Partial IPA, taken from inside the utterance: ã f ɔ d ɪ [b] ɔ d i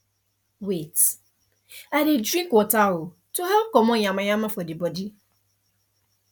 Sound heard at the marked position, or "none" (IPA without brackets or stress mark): b